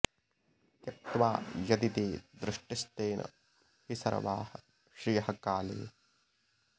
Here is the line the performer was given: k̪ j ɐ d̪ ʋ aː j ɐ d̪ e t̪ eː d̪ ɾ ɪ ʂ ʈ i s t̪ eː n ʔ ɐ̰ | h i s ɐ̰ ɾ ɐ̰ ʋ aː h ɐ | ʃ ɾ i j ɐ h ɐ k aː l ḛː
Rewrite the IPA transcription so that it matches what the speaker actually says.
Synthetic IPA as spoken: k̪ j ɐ t̪ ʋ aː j ɐ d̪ i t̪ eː d̪ ɾ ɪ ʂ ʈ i s t̪ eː n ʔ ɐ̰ | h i s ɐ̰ ɾ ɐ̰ ʋ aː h ɐ | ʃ ɾ i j ɐ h ɐ k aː l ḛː